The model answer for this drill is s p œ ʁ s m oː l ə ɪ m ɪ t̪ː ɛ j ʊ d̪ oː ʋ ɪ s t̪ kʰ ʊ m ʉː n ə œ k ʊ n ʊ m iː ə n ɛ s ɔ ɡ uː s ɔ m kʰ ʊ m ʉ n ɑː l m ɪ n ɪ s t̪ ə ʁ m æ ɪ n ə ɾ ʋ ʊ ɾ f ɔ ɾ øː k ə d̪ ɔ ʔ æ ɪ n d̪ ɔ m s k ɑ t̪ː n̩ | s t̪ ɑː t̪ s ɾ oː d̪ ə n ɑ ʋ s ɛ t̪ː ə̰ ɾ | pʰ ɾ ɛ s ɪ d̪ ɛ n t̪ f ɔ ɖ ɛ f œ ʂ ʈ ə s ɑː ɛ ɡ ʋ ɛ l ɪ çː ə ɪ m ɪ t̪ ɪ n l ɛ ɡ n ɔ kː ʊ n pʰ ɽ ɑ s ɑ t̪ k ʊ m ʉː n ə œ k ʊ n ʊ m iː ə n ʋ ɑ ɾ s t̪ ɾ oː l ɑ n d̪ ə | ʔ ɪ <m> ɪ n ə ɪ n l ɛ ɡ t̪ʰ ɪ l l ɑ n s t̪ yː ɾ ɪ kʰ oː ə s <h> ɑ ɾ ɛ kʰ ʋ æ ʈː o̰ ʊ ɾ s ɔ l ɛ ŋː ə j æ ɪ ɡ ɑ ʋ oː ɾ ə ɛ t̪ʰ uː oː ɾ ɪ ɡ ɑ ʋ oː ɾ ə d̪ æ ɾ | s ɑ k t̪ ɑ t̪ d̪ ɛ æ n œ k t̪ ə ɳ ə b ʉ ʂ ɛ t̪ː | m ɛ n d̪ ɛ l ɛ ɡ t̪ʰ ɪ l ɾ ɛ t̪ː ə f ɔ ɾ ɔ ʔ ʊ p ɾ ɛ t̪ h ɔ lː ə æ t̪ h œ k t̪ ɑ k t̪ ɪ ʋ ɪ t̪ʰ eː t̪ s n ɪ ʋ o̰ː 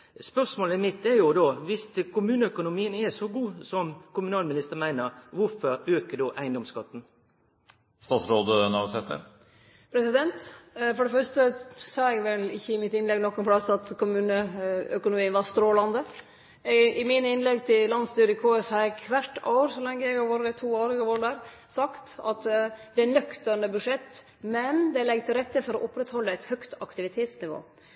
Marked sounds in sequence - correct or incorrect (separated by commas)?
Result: correct, correct